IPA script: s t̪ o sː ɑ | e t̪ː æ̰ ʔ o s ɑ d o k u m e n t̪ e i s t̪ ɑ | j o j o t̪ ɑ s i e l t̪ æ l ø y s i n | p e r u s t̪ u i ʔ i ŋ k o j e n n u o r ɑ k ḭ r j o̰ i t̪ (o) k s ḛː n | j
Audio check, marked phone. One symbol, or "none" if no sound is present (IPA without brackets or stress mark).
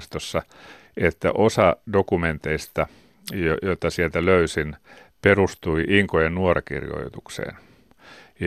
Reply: u